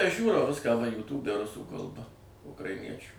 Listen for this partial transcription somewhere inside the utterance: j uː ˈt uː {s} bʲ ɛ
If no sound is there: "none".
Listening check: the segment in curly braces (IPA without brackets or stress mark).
none